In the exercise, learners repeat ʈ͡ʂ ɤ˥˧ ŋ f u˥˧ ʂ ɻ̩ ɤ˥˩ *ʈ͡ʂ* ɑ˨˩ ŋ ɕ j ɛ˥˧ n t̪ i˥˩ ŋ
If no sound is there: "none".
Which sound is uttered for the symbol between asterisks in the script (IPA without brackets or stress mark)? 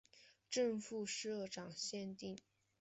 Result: ʈ͡ʂ